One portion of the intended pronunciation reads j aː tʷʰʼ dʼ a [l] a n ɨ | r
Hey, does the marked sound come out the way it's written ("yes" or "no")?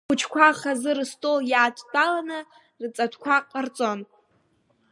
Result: yes